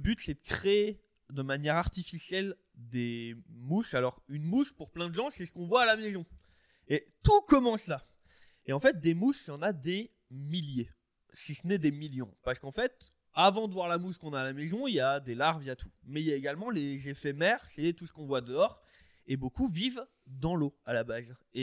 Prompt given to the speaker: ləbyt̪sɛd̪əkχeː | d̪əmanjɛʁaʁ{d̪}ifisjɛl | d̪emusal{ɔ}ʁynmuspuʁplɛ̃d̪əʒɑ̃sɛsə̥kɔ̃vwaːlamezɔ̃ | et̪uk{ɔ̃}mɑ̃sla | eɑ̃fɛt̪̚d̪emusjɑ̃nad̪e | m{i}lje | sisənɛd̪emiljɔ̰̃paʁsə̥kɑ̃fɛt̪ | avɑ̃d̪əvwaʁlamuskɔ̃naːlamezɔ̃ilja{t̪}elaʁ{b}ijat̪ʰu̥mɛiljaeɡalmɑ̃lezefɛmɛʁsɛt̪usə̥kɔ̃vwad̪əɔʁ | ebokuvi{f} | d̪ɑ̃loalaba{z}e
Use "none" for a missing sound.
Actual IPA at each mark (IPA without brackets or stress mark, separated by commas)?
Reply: t̪, ɔ, ɔ, i, d̪, v, v, z